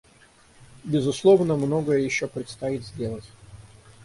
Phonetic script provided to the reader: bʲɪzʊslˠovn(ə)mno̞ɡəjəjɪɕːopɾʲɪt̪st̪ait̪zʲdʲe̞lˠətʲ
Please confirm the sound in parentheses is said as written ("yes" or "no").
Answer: yes